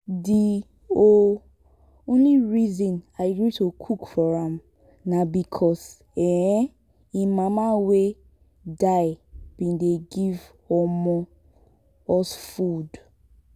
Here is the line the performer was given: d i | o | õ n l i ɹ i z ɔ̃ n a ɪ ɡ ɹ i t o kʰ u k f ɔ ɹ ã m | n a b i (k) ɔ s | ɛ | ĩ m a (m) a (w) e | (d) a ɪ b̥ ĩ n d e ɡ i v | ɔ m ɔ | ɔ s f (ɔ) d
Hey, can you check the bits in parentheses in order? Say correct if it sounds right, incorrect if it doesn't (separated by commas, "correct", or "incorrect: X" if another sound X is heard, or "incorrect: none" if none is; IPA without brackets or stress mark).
incorrect: kʰ, correct, correct, correct, incorrect: u